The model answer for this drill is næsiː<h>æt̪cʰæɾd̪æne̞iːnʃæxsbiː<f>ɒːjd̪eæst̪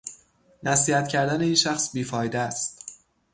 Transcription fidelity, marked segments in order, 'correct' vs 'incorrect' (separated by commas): correct, correct